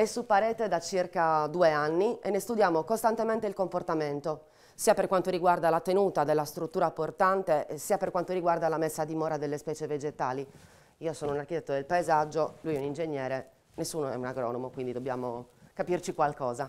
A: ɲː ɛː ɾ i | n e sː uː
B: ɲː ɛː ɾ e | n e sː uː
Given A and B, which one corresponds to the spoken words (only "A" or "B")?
B